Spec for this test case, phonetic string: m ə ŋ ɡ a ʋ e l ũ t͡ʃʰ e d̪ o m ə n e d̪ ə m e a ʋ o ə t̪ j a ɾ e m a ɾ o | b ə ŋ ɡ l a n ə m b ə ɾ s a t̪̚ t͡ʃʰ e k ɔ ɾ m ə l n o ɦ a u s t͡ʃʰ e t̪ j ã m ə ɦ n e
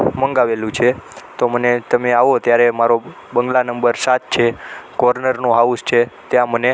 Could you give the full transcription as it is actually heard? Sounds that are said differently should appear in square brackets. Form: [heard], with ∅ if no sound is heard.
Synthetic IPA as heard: m ə ŋ ɡ a ʋ e l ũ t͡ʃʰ e [t̪] o m ə n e [t̪] ə m e a ʋ o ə t̪ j a ɾ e m a ɾ o | b ə ŋ ɡ l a n ə m b ə ɾ s a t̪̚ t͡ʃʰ e k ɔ ɾ [n] ə [ɾ] n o ɦ a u s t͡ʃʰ e t̪ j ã m ə [∅] n e